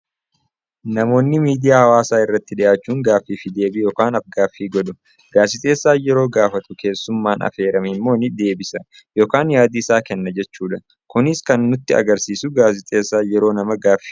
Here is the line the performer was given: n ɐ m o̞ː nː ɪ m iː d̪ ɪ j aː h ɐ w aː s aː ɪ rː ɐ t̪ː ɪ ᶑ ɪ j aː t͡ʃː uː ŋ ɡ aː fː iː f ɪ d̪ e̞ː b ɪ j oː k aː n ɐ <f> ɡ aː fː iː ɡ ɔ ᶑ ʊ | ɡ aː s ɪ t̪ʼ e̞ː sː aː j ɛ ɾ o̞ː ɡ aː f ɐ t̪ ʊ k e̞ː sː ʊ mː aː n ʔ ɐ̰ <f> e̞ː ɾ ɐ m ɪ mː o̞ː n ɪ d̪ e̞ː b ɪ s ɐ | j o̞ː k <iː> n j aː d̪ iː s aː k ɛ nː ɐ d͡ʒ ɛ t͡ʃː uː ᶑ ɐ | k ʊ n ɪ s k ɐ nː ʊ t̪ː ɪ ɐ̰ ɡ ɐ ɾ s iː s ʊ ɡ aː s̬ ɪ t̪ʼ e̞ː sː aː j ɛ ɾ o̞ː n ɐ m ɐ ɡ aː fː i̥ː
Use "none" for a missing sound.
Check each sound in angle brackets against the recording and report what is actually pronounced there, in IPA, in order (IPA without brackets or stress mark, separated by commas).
f, f, aː